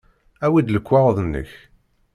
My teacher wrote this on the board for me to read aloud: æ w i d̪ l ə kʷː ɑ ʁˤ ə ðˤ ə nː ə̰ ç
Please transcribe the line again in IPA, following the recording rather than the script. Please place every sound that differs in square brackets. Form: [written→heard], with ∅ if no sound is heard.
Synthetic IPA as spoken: æ w i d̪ l ə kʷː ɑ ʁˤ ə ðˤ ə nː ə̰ ç